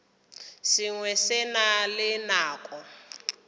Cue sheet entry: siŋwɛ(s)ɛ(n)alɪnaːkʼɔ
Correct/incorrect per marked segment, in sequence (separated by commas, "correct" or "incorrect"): correct, correct